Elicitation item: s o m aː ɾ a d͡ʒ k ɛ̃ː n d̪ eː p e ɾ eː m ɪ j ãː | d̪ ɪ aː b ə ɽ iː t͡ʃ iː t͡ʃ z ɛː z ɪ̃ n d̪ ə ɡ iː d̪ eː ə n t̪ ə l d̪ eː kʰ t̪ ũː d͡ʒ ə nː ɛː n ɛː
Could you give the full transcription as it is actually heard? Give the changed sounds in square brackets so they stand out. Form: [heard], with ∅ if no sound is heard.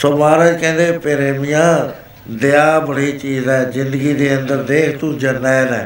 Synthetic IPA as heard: s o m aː ɾ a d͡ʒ k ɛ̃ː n d̪ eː p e ɾ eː m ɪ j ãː | d̪ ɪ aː b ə ɽ iː t͡ʃ iː [∅] z ɛː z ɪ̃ n d̪ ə ɡ iː d̪ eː ə n [d̪] ə [ɾ] d̪ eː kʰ t̪ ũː d͡ʒ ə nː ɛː n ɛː